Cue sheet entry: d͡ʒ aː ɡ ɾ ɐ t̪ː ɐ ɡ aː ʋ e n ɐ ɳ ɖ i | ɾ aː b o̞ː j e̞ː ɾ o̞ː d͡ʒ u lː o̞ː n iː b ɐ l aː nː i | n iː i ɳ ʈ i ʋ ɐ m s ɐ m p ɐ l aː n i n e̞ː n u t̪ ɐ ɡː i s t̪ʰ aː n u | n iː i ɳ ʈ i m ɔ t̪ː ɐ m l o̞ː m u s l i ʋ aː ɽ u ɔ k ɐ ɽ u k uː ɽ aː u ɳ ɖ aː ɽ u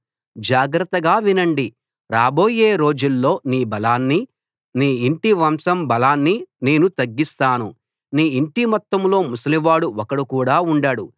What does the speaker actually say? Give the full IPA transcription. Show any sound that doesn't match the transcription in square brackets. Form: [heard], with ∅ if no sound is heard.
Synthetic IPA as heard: d͡ʒ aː ɡ ɾ ɐ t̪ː ɐ ɡ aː ʋ [i] n ɐ ɳ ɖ i | ɾ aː b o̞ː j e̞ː ɾ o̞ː d͡ʒ u lː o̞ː n iː b ɐ l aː nː i | n iː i ɳ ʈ i ʋ ɐ m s ɐ m [b] ɐ l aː [nː] i n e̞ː n u t̪ ɐ ɡː i s [t̪] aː n u | n iː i ɳ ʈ i m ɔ t̪ː ɐ m l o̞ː m u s l i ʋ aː ɽ u ɔ k ɐ ɽ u k uː ɽ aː u ɳ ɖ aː ɽ u